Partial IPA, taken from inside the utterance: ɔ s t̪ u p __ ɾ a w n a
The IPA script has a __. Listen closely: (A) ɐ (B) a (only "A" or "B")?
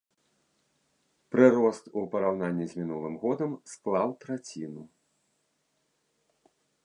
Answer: A